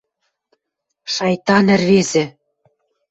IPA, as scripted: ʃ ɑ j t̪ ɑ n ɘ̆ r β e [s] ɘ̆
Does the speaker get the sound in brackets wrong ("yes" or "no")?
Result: yes